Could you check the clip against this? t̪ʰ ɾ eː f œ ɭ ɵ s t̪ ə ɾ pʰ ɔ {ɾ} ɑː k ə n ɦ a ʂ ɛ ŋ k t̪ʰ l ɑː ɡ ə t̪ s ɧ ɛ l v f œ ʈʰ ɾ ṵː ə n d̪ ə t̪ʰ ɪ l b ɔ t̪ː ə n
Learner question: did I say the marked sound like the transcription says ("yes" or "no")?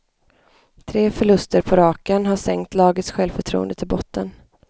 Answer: yes